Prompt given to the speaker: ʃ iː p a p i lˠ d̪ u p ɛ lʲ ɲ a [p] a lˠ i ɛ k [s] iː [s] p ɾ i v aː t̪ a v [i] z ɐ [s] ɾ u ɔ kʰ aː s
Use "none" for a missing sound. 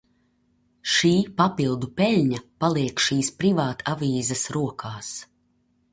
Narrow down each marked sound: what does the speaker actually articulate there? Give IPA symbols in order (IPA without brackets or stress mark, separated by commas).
p, ʃ, s, iː, s